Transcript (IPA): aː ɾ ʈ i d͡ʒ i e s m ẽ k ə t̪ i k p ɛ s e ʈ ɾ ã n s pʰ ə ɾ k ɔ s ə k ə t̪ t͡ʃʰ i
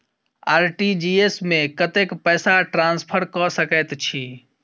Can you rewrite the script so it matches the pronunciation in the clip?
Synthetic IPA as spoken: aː ɾ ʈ i d͡ʒ i e s m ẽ k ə t̪ e k p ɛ s a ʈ ɾ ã n s pʰ ə ɾ k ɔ s ə k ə t̪ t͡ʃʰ i